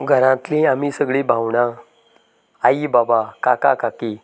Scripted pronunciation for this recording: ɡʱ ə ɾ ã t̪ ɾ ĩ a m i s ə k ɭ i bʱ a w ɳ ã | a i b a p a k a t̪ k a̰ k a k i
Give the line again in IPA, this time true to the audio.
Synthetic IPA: ɡʱ ə ɾ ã t̪ l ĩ a m i s ə ɡ ɭ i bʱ a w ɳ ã | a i b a b a k a k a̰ k a k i